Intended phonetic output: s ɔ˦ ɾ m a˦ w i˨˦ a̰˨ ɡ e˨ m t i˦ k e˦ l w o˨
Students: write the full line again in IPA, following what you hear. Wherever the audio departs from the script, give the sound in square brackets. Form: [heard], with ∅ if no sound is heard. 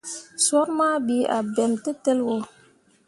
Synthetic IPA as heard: s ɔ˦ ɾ m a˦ [b] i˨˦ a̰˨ [b] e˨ m t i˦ [t] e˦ l w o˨